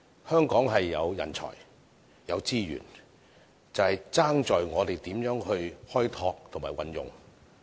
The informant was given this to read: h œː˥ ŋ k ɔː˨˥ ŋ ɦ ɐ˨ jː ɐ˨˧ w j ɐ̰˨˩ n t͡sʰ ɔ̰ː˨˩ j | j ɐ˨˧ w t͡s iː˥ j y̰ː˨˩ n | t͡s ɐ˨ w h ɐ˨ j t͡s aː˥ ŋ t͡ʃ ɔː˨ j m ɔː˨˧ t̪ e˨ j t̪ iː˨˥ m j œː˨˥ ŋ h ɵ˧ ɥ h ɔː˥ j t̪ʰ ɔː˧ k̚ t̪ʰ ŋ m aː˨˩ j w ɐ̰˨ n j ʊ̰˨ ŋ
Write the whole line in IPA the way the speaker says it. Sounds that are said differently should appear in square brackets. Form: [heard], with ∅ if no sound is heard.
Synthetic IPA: h œː˥ ŋ k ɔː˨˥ ŋ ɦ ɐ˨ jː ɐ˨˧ w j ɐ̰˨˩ n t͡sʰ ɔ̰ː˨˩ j | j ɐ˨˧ w t͡s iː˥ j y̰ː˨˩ n | t͡s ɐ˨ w h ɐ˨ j t͡s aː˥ ŋ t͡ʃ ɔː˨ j [ŋ] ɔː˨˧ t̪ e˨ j t̪ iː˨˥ m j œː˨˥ ŋ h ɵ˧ ɥ h ɔː˥ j t̪ʰ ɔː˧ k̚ t̪ʰ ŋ m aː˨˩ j w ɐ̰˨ n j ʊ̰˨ ŋ

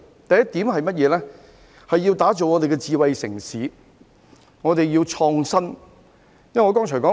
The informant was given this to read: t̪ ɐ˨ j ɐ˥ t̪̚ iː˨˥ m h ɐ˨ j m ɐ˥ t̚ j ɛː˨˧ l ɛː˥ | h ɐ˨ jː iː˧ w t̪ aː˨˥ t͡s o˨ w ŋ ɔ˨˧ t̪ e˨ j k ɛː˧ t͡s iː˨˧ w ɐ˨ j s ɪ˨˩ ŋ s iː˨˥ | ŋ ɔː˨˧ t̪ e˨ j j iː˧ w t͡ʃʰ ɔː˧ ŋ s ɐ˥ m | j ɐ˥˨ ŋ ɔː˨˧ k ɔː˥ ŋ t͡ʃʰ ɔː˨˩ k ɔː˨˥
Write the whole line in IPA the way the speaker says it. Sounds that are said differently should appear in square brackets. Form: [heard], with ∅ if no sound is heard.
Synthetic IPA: t̪ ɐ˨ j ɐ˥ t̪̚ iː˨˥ m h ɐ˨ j m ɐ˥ t̚ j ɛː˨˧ l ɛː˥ | h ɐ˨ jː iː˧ w t̪ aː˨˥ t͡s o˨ w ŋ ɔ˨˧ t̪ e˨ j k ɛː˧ t͡s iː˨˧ w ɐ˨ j s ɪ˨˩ ŋ s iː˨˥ | ŋ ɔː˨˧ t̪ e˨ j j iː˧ w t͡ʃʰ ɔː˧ ŋ s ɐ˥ [n] | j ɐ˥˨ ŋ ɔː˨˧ k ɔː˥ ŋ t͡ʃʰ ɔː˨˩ k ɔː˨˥

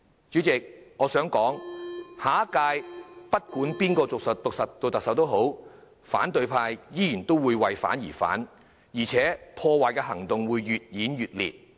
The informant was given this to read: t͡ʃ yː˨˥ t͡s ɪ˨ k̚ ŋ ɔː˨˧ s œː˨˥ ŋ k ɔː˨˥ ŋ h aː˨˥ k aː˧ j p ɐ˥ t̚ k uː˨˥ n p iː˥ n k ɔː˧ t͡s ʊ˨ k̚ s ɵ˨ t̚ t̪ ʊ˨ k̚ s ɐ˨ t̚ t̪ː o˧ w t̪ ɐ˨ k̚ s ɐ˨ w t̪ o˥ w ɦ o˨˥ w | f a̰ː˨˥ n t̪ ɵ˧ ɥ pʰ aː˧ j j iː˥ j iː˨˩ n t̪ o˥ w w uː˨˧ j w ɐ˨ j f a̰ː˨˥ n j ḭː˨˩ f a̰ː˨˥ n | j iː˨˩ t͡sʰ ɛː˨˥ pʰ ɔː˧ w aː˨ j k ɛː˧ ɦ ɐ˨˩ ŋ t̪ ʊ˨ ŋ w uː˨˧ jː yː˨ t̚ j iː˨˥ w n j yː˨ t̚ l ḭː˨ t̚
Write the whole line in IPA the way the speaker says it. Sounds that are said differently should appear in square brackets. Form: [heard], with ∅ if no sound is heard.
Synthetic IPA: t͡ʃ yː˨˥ t͡s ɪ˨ k̚ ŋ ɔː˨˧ s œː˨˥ ŋ k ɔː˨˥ ŋ h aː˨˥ k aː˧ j p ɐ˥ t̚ k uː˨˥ n p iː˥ n k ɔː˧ t͡s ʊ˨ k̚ s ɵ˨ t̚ t̪ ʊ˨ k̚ s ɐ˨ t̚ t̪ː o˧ w t̪ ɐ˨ k̚ s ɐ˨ w t̪ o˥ w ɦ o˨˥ w | f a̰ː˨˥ n t̪ ɵ˧ ɥ pʰ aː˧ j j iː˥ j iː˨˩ n t̪ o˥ w w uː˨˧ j w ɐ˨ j f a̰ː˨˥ n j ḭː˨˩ f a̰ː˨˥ n | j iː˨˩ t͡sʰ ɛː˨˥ pʰ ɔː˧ w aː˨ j k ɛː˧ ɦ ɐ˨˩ ŋ t̪ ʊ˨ ŋ w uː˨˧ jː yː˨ t̚ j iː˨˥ [∅] n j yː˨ t̚ l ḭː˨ t̚

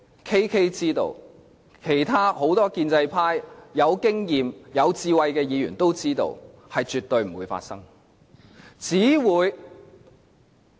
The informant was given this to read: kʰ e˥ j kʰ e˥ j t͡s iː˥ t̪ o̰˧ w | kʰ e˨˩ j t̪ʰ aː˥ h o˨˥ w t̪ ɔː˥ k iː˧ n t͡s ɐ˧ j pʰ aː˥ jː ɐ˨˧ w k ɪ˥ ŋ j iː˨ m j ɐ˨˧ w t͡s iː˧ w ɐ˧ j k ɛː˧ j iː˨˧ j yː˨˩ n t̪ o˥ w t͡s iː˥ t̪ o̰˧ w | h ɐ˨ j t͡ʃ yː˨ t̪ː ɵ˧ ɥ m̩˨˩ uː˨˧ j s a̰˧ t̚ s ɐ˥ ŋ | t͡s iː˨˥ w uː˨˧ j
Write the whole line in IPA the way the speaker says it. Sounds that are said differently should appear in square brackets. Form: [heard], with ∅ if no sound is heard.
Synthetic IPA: kʰ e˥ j kʰ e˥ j t͡s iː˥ t̪ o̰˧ w | kʰ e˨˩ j t̪ʰ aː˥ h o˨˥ w t̪ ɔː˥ k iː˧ n t͡s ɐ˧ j pʰ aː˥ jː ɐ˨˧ w k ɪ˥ ŋ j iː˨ m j ɐ˨˧ w t͡s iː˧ w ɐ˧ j k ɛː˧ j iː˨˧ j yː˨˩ n t̪ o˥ w t͡s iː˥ t̪ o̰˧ w | h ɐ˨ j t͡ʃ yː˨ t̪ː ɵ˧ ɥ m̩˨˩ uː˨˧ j [f] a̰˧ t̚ s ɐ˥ ŋ | t͡s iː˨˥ w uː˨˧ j

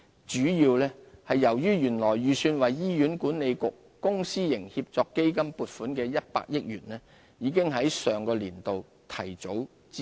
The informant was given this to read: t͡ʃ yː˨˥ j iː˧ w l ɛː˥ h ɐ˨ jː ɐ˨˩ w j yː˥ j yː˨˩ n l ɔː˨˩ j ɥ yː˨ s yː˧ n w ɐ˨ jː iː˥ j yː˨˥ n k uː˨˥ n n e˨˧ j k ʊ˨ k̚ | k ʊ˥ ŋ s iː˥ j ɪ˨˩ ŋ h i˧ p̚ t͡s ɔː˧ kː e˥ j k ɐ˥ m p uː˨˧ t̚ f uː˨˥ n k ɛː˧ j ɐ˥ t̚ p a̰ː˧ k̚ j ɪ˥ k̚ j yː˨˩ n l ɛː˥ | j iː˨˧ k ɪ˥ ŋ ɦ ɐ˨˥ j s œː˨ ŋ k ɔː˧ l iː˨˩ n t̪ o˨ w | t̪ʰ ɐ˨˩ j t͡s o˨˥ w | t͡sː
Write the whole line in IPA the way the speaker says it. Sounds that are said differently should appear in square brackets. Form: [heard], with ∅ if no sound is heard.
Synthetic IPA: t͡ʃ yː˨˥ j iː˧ w l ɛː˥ h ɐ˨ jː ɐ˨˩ w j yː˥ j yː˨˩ n l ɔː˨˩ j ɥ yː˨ s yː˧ n w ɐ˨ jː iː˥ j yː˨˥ n k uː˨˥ n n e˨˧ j k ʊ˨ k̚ | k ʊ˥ ŋ s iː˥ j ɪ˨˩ ŋ h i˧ p̚ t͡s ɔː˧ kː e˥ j k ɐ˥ m p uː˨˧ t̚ f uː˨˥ n k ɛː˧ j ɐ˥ t̚ p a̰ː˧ k̚ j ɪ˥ k̚ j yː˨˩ n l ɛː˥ | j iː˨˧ k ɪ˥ ŋ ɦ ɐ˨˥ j s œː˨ ŋ k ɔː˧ l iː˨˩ n t̪ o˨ w | t̪ʰ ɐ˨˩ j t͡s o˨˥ w | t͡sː

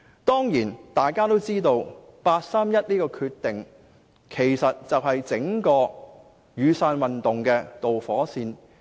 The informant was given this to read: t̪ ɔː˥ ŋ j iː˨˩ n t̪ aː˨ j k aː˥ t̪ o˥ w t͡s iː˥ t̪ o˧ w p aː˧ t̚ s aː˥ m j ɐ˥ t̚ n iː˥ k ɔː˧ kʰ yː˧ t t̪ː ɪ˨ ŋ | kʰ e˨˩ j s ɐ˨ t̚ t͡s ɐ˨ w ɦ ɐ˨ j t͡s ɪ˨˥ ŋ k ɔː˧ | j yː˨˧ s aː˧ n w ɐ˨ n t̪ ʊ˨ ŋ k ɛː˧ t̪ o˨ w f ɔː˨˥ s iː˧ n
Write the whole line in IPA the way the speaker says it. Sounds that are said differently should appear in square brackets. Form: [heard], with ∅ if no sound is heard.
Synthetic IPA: t̪ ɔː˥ ŋ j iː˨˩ n t̪ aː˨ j k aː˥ t̪ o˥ w t͡s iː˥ t̪ o˧ w p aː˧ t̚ s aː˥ m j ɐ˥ t̚ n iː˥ k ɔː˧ kʰ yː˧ t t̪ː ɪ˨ ŋ | kʰ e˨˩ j s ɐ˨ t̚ t͡s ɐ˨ w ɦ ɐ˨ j t͡s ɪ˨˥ ŋ k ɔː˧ | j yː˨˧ s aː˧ n w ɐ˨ n t̪ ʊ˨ ŋ k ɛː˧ t̪ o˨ w f ɔː˨˥ s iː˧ n

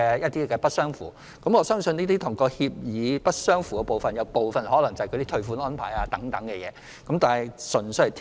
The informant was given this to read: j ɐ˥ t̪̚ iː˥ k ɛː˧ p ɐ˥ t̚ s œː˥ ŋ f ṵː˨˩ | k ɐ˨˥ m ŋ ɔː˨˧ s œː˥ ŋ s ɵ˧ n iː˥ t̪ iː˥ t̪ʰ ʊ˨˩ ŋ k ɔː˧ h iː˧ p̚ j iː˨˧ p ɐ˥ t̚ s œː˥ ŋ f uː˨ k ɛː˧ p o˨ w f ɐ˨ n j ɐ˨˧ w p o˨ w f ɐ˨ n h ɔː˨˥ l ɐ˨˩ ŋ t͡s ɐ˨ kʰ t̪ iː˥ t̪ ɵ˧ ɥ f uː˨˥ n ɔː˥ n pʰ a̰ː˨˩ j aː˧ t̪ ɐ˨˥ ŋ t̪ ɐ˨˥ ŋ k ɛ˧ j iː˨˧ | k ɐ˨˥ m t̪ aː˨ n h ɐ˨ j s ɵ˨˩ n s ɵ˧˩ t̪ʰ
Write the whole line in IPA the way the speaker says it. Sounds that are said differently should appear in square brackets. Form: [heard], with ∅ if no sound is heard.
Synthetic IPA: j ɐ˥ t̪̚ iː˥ k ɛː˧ p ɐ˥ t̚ s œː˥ ŋ f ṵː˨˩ | k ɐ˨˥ m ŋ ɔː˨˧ s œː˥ ŋ s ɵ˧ n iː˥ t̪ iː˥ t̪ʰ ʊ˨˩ ŋ k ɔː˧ h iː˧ p̚ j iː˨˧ p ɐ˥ t̚ s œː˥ ŋ f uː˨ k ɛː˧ p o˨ w f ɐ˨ n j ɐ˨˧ w p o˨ w f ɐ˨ n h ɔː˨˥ l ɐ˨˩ ŋ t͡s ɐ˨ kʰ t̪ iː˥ [t̪ʰ] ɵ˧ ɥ f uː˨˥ n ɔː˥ n pʰ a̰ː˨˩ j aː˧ t̪ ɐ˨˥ ŋ t̪ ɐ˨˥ ŋ k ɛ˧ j [ɛː˨˧] | k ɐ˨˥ m t̪ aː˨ n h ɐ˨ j s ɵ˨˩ n s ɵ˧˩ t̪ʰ

